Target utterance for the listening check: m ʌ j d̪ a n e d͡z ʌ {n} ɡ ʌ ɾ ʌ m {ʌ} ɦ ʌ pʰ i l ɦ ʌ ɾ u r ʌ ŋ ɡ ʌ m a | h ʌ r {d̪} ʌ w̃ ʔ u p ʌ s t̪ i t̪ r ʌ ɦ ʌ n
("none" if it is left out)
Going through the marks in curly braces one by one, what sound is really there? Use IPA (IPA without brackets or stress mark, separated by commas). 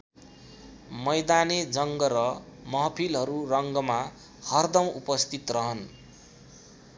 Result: ŋ, ʌ, d̪